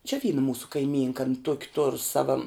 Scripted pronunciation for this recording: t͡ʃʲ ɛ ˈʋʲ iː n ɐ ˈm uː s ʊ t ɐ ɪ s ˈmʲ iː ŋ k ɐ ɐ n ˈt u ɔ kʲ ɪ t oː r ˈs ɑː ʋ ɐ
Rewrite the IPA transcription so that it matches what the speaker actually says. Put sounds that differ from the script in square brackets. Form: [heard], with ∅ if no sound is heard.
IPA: t͡ʃʲ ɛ ˈʋʲ iː n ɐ ˈm uː s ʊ [k] ɐ ɪ [∅] ˈmʲ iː ŋ k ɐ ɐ n ˈt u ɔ kʲ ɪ t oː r ˈs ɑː ʋ ɐ